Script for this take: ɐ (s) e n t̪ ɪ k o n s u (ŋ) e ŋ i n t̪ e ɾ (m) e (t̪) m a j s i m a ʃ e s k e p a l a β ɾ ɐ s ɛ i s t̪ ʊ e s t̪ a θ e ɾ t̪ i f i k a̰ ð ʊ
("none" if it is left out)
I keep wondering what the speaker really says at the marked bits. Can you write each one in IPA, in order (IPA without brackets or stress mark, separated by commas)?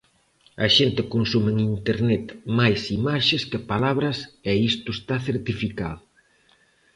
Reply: ʃ, m, n, t̪